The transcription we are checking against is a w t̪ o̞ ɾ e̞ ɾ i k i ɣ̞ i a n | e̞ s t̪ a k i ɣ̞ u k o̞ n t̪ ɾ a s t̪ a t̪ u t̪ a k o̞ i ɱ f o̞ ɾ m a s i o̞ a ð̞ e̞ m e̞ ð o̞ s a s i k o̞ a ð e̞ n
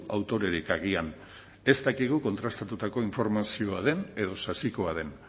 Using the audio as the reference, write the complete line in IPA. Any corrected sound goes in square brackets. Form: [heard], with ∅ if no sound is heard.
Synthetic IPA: a w t̪ o̞ ɾ e̞ ɾ i k [a] ɣ̞ i a n | e̞ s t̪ a k i ɣ̞ u k o̞ n t̪ ɾ a s t̪ a t̪ u t̪ a k o̞ i ɱ f o̞ ɾ m a s i o̞ a ð̞ e̞ [n] e̞ ð o̞ s a s i k o̞ a ð e̞ n

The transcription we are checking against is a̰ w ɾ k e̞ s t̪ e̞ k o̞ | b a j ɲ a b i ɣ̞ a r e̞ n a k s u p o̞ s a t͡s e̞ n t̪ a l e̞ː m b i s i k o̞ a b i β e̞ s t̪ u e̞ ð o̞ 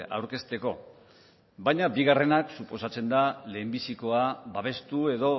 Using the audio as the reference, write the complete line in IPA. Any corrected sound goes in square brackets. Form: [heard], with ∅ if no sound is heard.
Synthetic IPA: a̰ w ɾ k e̞ s t̪ e̞ k o̞ | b a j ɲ a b i ɣ̞ a r e̞ n a k s u p o̞ s a t͡s e̞ n [d̪] a l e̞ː m b i s i k o̞ a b [a] β e̞ s t̪ u e̞ ð o̞

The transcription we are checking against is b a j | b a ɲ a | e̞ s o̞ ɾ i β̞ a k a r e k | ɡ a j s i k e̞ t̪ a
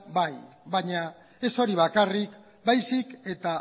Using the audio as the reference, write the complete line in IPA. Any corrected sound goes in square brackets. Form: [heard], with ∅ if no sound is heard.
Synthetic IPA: b a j | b a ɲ a | e̞ s o̞ ɾ i β̞ a k a r [i] k | [b] a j s i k e̞ t̪ a

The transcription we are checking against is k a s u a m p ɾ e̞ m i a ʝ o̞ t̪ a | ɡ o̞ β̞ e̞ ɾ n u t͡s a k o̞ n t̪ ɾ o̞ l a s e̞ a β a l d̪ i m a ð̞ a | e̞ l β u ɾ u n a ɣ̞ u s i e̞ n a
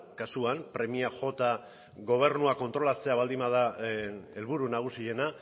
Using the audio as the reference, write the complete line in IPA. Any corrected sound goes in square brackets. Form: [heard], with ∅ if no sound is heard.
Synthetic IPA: k a s u a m p ɾ e̞ m i a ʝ o̞ t̪ a | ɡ o̞ β̞ e̞ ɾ n u [∅] a k o̞ n t̪ ɾ o̞ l a [t͡s] e̞ a β a l d̪ i m a ð̞ a | e̞ l β u ɾ u n a ɣ̞ u s i e̞ n a

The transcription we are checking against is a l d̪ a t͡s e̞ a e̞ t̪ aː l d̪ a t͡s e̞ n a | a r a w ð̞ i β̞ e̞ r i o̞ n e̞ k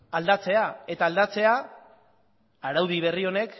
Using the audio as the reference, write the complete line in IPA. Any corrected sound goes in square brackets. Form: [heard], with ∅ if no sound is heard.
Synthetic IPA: a l d̪ a t͡s e̞ a e̞ t̪ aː l d̪ a t͡s e̞ [∅] a | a [ɾ] a w ð̞ i β̞ e̞ r i o̞ n e̞ k

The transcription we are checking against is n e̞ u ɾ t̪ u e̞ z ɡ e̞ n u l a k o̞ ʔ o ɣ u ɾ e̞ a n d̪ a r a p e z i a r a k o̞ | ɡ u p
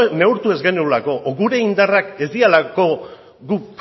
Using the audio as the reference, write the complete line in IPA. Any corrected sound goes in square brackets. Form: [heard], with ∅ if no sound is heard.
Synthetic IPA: n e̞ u ɾ t̪ u e̞ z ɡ e̞ n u l a k o̞ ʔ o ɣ u ɾ e̞ [i] n d̪ a r a [k] e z i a [l] a k o̞ | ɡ u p

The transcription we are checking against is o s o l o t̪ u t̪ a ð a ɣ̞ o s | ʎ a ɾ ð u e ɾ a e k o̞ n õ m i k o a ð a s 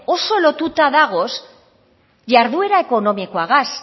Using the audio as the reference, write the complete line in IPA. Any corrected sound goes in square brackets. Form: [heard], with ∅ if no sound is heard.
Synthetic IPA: o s o l o t̪ u t̪ a ð a ɣ̞ o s | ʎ a ɾ ð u e ɾ a e k o̞ n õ m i k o a [ɣ] a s

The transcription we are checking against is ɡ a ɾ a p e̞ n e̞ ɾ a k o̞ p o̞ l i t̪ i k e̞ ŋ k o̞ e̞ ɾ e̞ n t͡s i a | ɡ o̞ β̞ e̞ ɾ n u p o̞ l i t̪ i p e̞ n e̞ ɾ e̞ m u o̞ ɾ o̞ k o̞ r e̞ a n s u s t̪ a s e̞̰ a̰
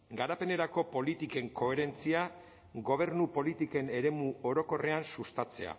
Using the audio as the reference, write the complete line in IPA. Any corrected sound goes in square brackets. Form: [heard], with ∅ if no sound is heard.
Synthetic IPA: ɡ a ɾ a p e̞ n e̞ ɾ a k o̞ p o̞ l i t̪ i k e̞ ŋ k o̞ e̞ ɾ e̞ n t͡s i a | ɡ o̞ β̞ e̞ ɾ n u p o̞ l i t̪ i [k] e̞ n e̞ ɾ e̞ m u o̞ ɾ o̞ k o̞ r e̞ a n s u s t̪ a [t͡s] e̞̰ a̰

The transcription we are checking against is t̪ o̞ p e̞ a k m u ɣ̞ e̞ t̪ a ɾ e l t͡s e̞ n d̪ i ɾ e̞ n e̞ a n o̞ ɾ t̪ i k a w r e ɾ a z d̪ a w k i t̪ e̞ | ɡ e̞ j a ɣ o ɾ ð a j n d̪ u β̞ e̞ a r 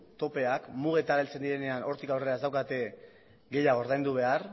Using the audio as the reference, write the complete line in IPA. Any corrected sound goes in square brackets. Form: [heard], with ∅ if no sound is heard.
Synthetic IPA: t̪ o̞ p e̞ a k m u ɣ̞ e̞ t̪ a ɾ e l t͡s e̞ n d̪ i ɾ e̞ n e̞ a n o̞ ɾ t̪ i k a w r e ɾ a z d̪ a w k [a] t̪ e̞ | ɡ e̞ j a ɣ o ɾ ð a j n d̪ u β̞ e̞ a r

